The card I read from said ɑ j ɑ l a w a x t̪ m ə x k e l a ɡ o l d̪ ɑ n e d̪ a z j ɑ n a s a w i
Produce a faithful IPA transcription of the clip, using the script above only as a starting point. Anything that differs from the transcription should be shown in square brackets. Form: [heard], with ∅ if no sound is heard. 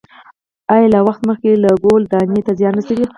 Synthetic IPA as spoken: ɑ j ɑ l a w a x t̪ m ə x k e l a ɡ o l d̪ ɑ n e [t̪] a z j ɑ n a s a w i